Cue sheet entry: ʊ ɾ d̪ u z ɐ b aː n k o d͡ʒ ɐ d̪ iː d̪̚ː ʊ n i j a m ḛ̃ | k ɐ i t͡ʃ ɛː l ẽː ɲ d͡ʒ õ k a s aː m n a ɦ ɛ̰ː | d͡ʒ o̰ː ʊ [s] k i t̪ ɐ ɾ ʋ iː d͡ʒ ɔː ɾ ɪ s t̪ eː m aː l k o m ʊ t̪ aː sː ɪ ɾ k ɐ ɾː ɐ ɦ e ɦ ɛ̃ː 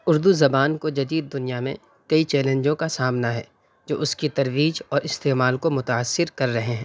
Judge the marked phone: correct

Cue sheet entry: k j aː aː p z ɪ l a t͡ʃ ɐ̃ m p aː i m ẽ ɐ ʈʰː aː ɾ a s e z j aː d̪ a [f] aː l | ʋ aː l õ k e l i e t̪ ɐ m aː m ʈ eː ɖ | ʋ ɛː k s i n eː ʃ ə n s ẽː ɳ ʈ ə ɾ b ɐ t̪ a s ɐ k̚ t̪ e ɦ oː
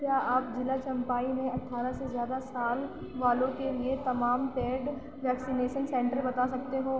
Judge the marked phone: incorrect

